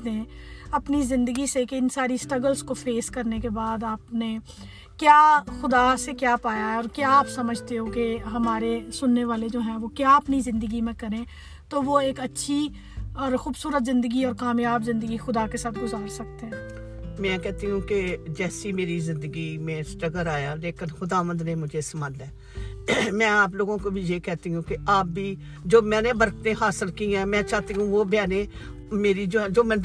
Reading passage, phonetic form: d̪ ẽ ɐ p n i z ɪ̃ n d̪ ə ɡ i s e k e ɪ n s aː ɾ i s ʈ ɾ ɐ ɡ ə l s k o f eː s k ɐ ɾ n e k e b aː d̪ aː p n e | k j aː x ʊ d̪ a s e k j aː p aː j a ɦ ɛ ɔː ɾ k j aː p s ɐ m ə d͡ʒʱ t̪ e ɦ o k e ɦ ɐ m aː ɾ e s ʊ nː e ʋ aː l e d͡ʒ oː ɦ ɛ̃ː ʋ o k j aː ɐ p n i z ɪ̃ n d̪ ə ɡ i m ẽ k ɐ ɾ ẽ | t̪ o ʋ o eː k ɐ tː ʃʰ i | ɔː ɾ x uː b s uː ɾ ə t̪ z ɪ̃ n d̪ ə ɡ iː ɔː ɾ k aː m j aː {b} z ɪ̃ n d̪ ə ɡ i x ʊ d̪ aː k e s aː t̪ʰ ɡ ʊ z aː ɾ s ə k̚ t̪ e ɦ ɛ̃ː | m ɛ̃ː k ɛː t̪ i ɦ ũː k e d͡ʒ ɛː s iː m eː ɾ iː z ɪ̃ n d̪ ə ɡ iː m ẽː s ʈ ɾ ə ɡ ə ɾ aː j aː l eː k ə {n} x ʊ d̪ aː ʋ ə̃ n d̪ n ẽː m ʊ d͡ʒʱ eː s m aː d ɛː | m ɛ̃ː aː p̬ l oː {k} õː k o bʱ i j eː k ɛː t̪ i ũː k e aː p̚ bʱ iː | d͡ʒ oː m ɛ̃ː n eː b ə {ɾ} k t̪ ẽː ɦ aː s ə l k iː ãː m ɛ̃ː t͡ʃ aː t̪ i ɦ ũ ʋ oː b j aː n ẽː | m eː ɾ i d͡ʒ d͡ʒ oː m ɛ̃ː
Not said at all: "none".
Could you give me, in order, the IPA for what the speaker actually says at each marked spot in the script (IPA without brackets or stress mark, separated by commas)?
b, n, ɡ, ɾ